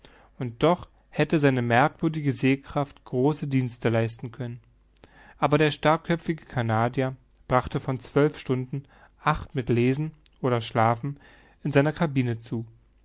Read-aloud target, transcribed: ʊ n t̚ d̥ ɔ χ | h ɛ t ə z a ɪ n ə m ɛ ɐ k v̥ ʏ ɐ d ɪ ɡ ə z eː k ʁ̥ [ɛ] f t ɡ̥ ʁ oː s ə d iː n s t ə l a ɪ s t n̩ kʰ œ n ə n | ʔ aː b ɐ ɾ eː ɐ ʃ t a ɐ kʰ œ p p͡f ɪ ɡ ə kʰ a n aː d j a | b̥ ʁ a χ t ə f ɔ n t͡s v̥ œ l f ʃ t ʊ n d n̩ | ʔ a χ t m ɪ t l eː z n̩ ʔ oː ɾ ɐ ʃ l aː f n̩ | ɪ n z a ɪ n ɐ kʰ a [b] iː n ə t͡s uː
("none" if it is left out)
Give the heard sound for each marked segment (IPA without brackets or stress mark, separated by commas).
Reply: a, b